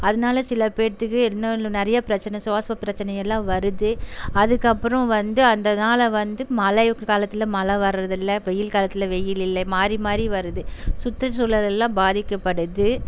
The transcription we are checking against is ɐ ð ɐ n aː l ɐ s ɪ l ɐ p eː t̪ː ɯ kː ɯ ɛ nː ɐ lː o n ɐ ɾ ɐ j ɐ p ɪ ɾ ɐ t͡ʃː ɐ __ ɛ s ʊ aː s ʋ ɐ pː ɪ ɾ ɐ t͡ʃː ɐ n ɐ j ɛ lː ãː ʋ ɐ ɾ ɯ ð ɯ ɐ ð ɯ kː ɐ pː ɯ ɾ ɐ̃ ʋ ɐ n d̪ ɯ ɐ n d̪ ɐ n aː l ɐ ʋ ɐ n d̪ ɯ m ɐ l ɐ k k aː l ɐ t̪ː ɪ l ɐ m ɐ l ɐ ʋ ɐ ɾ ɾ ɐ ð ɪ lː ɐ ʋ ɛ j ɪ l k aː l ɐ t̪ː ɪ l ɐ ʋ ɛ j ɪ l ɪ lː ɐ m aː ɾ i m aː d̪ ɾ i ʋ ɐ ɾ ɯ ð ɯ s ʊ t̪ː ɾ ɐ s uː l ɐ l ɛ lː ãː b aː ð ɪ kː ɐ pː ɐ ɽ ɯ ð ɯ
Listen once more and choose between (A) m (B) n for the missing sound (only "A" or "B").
B